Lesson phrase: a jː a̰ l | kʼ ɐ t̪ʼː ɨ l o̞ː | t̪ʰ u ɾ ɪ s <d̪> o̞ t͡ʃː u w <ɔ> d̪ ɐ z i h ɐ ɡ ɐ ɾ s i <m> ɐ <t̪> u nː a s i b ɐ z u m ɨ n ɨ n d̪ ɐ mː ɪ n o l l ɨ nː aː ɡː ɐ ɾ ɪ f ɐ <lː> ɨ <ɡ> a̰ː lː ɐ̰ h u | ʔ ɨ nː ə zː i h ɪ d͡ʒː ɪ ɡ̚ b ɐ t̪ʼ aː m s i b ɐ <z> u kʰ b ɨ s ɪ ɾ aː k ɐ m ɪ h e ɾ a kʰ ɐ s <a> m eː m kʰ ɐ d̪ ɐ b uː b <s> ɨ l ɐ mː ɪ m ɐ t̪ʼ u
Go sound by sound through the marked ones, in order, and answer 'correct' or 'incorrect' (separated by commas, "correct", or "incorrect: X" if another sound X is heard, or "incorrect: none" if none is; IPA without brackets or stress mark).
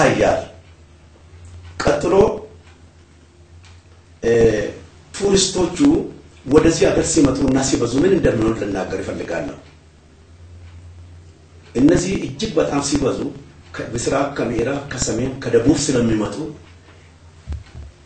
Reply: incorrect: t̪, correct, correct, incorrect: t̪ʼ, correct, correct, correct, incorrect: ɐ, correct